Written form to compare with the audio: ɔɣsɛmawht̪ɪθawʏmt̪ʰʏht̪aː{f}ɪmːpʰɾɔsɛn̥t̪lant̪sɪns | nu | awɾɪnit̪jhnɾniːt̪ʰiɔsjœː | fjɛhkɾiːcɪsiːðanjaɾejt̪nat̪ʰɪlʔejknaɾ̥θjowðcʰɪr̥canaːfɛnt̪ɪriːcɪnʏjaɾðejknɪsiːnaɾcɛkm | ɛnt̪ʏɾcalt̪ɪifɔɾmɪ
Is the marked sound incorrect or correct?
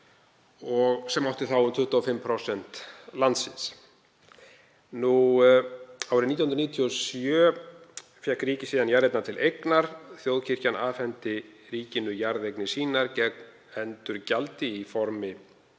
correct